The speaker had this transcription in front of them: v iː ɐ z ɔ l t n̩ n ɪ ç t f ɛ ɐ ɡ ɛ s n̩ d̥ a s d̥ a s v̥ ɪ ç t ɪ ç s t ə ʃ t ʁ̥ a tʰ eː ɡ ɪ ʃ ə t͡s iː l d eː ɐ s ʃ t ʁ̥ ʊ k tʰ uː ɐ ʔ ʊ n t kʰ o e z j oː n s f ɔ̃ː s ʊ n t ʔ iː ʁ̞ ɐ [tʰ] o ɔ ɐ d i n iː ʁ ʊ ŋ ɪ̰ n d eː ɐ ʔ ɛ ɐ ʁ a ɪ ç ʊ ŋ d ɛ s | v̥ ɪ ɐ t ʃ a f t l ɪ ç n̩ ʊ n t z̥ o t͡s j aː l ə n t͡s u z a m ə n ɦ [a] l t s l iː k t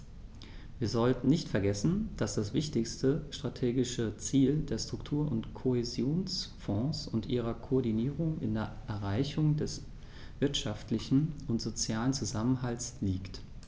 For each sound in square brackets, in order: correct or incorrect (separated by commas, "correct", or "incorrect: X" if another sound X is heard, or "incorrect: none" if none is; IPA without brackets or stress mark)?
incorrect: kʰ, correct